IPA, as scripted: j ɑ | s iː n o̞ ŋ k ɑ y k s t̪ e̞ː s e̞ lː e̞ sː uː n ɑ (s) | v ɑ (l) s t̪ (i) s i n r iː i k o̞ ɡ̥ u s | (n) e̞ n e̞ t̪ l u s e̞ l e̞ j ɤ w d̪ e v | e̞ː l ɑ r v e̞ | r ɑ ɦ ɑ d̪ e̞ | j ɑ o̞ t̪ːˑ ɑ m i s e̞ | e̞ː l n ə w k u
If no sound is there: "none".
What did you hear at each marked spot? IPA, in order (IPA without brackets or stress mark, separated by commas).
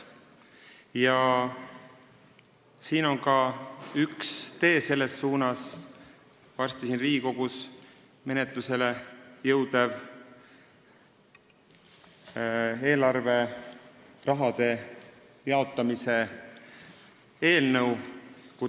s, r, i, m